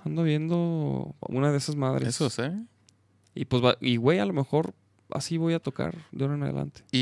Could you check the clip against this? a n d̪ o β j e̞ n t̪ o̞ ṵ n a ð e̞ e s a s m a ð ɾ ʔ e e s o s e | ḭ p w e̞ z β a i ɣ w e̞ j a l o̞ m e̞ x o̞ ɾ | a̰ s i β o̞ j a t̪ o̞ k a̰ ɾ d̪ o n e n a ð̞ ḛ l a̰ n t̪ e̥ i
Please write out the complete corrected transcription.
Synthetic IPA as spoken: a n d̪ o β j e̞ n d̪ o̞ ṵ n a ð e̞ e s a z m a ð ɾ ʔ e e s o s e | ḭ p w e̞ z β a i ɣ w e̞ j a l o̞ m e̞ x o̞ ɾ | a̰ s i β o̞ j a t̪ o̞ k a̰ ɾ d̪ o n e n a ð̞ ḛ l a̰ n t̪ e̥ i